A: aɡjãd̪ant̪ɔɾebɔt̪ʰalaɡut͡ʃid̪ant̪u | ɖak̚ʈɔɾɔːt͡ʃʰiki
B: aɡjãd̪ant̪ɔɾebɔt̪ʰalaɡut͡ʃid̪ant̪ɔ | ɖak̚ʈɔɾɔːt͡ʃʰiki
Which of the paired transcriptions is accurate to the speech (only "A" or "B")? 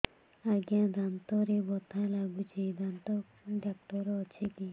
B